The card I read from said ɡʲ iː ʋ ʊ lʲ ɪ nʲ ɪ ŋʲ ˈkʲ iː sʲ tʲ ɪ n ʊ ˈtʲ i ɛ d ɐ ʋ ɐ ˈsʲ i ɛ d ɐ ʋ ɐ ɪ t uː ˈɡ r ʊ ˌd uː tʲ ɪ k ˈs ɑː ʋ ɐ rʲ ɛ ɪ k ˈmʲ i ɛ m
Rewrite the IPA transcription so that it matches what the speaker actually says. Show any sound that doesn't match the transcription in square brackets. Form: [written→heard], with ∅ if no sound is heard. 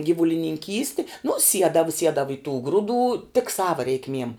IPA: ɡʲ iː ʋ ʊ lʲ ɪ nʲ ɪ ŋʲ ˈkʲ iː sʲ tʲ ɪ n ʊ [ˈtʲ→ˈsʲ] i ɛ d ɐ ʋ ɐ ˈsʲ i ɛ d ɐ ʋ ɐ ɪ t uː ˈɡ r ʊ ˌd uː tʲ ɪ k ˈs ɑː ʋ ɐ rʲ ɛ ɪ k ˈmʲ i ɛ m

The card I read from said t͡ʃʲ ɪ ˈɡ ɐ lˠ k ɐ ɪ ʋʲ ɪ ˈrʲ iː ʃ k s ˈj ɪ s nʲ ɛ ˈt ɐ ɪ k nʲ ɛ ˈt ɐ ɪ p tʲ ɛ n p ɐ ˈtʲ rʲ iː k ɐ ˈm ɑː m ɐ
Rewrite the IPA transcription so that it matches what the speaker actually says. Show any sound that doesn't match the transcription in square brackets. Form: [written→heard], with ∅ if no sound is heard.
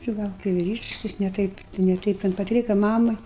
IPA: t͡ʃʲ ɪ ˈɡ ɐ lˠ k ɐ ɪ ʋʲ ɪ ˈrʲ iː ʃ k s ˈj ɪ s nʲ ɛ ˈt ɐ ɪ [k→p] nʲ ɛ ˈt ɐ ɪ p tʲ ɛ n p ɐ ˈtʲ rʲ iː k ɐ ˈm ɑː m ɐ

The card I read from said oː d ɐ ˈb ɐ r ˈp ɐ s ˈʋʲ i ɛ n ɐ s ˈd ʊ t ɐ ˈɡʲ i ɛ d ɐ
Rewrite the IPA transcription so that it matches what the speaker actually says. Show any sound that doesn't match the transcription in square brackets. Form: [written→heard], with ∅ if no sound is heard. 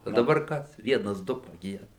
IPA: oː d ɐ ˈb ɐ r [ˈp→ˈk] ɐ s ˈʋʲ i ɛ n ɐ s ˈd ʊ [t→p] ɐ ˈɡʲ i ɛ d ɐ

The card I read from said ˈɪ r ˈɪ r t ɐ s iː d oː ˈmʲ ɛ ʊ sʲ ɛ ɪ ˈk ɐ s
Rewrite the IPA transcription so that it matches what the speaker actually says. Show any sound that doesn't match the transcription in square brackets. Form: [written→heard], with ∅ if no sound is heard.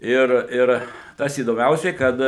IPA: ˈɪ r ˈɪ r t ɐ s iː d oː ˈmʲ ɛ ʊ sʲ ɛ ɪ ˈk ɐ [s→t]

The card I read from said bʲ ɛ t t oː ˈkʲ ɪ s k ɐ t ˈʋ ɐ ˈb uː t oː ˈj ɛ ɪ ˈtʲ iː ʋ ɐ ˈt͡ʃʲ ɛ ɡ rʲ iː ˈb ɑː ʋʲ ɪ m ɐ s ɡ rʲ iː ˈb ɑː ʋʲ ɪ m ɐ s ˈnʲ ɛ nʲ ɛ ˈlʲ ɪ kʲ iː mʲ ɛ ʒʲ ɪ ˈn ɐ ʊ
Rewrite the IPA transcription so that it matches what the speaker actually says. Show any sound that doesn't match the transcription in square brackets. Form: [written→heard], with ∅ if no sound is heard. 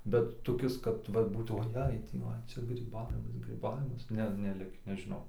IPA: bʲ ɛ t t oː ˈkʲ ɪ s k ɐ t ˈʋ ɐ ˈb uː t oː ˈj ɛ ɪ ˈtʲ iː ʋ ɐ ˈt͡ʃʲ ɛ ɡ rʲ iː ˈb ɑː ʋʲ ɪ m ɐ s ɡ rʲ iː ˈb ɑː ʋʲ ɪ m ɐ s ˈnʲ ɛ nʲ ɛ ˈlʲ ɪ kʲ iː [mʲ→nʲ] ɛ ʒʲ ɪ ˈn ɐ ʊ

